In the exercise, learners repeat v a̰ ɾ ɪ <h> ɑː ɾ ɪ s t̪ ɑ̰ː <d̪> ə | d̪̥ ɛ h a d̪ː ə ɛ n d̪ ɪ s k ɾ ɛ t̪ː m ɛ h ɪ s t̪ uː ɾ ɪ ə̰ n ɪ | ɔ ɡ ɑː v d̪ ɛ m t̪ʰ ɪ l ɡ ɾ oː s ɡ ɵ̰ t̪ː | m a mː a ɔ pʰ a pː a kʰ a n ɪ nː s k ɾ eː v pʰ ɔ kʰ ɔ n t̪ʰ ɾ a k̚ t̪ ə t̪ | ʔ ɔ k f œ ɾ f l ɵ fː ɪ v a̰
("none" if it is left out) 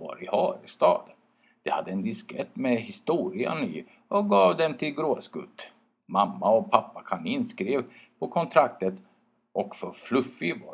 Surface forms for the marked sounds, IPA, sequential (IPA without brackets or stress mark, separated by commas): h, d̪